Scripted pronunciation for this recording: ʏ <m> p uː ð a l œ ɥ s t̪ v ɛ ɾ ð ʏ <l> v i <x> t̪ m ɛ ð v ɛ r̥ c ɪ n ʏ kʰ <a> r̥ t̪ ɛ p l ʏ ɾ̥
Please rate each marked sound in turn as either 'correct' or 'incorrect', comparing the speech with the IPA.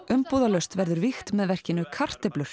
correct, incorrect: ɾ, correct, correct

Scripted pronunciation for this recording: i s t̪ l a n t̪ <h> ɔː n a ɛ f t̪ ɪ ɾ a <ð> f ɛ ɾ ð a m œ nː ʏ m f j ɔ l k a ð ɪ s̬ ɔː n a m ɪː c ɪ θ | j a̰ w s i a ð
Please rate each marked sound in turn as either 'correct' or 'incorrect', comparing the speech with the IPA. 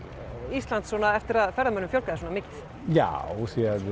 incorrect: s, correct

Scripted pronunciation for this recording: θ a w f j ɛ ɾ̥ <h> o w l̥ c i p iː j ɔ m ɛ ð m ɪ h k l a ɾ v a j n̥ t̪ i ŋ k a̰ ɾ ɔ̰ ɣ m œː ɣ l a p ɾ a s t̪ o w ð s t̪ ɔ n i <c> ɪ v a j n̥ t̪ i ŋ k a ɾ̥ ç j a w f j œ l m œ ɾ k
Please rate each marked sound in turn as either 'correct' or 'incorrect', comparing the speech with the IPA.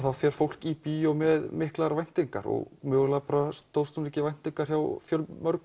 incorrect: f, correct

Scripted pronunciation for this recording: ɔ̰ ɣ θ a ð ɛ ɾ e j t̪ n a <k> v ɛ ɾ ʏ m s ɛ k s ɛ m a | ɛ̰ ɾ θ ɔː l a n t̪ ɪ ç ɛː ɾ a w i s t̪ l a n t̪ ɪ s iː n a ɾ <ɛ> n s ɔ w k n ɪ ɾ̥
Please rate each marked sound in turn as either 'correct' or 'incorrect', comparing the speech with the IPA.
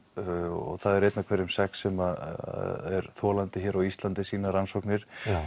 incorrect: kʰ, incorrect: a

